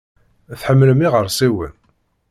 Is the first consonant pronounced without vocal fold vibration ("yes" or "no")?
yes